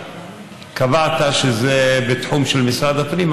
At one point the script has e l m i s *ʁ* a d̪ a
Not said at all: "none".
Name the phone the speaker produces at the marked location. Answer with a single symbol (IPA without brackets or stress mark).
ʁ